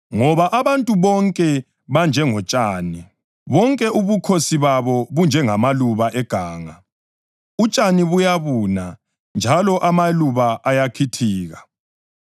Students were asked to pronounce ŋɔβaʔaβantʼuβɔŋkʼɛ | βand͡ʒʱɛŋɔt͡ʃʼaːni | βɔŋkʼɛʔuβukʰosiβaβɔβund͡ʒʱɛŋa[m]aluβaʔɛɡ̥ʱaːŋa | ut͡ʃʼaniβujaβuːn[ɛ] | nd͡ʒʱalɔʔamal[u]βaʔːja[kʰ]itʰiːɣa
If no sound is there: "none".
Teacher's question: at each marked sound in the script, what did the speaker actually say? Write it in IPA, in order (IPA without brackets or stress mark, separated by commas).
m, a, u, kʰ